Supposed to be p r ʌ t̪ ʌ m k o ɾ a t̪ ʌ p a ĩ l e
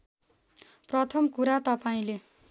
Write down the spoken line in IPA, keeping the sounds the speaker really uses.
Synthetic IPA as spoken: p r ʌ t̪ʰ ʌ m k u ɾ a t̪ ʌ p a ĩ l e